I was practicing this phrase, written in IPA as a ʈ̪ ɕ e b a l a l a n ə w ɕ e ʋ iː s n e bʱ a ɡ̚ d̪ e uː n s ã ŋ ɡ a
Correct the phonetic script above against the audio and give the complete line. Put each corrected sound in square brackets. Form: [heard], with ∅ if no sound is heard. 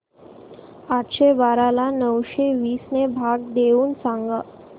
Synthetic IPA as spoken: a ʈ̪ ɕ e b a [ɾ] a l a n ə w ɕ e ʋ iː s n e bʱ a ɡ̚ d̪ e uː n s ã ŋ ɡ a

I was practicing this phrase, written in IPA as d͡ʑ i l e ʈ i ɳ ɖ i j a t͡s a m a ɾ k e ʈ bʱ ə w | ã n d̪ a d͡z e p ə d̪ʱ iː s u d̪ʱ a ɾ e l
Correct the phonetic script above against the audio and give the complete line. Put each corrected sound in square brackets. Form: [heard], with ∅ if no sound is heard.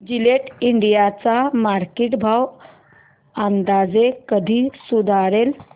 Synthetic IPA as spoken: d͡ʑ i l e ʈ i ɳ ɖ i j a t͡s a m a ɾ k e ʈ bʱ [a] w | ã n d̪ a d͡z e [k] ə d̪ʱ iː s u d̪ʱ a ɾ e l

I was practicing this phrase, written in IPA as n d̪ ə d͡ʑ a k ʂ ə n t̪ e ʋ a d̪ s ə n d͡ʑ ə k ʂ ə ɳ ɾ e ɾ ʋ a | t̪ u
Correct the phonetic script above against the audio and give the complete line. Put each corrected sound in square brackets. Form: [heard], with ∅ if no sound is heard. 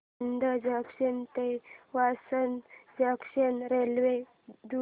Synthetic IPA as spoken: n d̪ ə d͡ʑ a k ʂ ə n t̪ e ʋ a [∅] s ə n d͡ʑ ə k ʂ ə [n] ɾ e [l] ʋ [e] | [d̪] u

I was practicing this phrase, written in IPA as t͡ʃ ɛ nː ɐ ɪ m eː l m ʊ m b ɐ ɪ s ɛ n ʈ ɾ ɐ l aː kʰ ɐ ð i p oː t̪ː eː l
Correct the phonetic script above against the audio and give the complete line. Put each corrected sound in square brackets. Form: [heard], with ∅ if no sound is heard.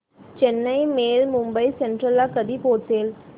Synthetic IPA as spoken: t͡ʃ ɛ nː ɐ ɪ m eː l m ʊ m b ɐ ɪ s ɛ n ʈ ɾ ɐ l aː [k] ɐ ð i p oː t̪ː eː l

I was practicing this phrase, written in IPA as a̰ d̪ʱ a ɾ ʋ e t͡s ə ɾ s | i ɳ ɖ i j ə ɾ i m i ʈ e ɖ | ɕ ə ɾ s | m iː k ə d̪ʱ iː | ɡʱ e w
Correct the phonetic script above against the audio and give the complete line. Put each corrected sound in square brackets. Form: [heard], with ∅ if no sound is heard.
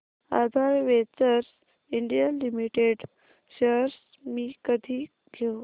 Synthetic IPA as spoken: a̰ d̪ʱ a ɾ ʋ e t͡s ə ɾ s | i ɳ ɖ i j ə [l] i m i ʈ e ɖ | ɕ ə ɾ s | m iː k ə d̪ʱ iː | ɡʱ e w

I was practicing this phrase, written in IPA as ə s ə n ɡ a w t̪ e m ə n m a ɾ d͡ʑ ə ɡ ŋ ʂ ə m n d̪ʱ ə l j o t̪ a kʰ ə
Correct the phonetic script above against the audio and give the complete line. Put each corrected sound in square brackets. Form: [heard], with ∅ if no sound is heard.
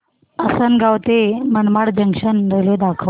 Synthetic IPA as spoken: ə s ə n ɡ a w t̪ e m ə n m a [ɽ] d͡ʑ ə [∅] ŋ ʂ ə [∅] n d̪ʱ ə l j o [d̪] a kʰ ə

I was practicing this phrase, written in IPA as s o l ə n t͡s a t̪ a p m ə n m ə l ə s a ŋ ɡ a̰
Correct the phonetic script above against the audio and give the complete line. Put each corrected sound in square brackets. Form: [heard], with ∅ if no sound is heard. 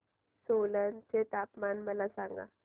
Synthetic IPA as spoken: s o l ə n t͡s [e] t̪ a p m [a] n m ə l [a] s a ŋ ɡ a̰

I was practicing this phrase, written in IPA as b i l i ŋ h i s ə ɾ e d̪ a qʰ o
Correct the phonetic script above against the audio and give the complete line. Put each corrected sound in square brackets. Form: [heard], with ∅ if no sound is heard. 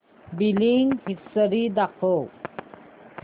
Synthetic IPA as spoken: b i l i ŋ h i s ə ɾ [i] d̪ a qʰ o

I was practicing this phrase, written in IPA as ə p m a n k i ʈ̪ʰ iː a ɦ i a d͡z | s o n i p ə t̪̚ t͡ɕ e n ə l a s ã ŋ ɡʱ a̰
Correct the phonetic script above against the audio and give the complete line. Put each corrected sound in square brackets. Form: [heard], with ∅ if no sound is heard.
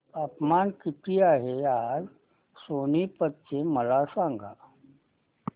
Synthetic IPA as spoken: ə p m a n k i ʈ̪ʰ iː a ɦ [e] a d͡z | s o n i p ə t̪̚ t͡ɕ e [m] ə l a s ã ŋ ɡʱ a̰

